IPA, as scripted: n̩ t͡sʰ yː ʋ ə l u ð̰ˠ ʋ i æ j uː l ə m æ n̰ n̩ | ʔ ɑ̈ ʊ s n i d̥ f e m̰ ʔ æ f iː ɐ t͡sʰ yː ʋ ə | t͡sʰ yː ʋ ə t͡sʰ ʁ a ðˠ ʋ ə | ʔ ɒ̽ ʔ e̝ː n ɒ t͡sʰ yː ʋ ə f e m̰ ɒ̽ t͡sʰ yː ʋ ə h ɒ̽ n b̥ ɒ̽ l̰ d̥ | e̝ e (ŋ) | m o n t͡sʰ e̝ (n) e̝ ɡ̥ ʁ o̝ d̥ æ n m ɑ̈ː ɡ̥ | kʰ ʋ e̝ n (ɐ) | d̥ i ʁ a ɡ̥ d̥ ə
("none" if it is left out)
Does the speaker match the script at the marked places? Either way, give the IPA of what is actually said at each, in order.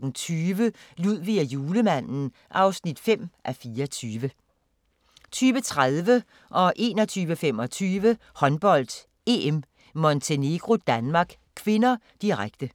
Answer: m, n, ɐ

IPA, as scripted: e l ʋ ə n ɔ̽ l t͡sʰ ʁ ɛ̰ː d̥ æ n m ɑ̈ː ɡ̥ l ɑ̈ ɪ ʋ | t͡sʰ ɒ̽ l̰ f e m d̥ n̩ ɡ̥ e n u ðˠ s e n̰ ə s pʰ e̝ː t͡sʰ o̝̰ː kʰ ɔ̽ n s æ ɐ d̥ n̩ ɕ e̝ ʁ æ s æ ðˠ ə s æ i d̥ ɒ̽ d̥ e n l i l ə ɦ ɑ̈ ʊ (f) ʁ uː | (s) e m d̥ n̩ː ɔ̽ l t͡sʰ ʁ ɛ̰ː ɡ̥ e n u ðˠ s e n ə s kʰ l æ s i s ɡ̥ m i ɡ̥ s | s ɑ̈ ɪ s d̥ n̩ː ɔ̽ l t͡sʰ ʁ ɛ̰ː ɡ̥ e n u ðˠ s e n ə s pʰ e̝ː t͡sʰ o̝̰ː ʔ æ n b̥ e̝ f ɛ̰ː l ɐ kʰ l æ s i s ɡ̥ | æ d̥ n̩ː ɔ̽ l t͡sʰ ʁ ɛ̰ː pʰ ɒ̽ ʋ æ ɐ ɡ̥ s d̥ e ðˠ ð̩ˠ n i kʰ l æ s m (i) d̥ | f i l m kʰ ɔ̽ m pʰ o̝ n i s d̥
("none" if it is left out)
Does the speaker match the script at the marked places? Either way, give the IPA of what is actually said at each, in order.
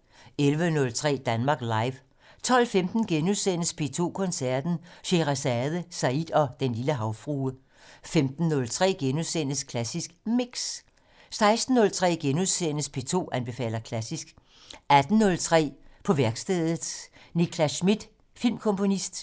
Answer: f, f, i

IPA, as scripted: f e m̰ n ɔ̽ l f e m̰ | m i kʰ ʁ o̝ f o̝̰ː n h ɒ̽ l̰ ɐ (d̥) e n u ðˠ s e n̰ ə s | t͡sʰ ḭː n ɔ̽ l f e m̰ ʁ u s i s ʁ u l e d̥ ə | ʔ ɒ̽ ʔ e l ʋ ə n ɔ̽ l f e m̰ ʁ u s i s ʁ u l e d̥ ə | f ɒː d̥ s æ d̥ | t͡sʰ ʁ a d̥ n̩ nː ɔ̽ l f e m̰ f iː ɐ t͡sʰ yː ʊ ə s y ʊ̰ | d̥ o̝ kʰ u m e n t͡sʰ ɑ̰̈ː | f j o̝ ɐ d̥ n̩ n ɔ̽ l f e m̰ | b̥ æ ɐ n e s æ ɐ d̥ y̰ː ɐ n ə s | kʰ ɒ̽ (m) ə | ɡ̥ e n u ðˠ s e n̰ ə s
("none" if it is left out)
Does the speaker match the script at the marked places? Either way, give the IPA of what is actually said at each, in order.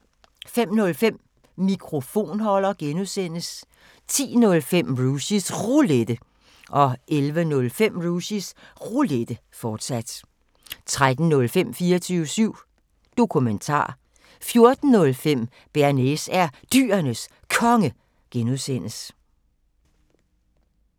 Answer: ɡ̥, ŋ

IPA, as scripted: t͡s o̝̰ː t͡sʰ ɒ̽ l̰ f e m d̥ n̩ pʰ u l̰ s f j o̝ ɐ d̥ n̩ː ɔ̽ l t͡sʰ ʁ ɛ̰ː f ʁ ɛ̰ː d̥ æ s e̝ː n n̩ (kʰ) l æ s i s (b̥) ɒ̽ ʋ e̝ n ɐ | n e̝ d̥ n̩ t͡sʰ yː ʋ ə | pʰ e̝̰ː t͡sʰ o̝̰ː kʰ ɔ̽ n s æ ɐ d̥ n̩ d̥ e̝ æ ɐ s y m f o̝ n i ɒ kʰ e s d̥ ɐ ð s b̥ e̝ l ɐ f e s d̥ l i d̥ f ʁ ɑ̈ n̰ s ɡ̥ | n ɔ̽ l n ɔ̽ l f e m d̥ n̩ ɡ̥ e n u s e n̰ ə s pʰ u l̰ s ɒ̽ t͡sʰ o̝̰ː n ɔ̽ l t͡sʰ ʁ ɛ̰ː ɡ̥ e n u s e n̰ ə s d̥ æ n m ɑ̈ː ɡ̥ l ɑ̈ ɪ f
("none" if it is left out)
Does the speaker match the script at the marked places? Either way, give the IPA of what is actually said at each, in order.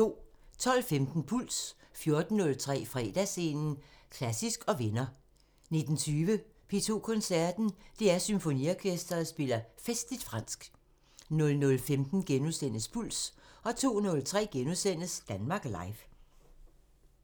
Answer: kʰ, ɡ̥

